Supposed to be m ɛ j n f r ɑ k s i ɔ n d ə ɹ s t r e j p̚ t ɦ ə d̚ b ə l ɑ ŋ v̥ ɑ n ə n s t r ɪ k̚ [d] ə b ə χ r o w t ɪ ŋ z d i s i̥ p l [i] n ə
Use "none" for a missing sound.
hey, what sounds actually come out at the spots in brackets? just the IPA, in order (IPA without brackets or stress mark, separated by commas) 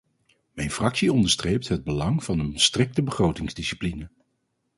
t, i